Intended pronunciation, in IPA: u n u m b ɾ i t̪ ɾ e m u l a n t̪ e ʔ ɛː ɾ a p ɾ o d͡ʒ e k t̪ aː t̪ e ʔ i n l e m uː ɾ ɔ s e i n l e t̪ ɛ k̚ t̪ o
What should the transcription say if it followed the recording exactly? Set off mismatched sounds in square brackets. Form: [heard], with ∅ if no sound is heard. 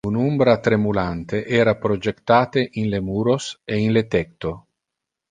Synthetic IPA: u n u m b ɾ [a] t̪ ɾ e m u l a n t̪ e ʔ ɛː ɾ a p ɾ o d͡ʒ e k t̪ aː t̪ e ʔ i n l e m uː ɾ [o] s e i n l e t̪ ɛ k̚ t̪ o